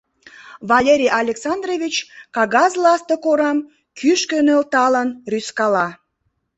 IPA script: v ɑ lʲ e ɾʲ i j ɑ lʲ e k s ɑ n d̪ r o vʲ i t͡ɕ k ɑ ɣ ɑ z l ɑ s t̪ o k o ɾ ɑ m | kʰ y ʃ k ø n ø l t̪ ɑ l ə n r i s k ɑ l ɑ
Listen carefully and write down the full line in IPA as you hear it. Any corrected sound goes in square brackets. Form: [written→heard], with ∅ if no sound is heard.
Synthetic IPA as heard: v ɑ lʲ e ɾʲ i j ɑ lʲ e k s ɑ n d̪ r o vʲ i t͡ɕ k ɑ ɣ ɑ z l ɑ s t̪ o k o ɾ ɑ m | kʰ y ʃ k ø n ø l t̪ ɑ l ə n r [i→y] s k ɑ l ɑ